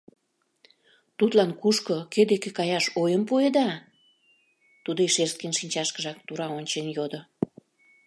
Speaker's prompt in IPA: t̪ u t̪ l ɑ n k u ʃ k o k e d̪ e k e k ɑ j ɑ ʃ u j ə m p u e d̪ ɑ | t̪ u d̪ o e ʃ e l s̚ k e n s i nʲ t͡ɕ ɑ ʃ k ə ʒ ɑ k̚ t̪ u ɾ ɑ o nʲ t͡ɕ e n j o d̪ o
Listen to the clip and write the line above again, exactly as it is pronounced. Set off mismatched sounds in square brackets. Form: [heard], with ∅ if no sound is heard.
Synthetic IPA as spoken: t̪ u t̪ l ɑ n k u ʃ k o k e d̪ e k e k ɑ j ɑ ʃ [o] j ə m p u e d̪ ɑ | t̪ u d̪ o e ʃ e [r] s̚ k e n [ʃ] i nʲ t͡ɕ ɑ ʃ k ə ʒ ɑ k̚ t̪ u ɾ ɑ o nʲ t͡ɕ e n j o d̪ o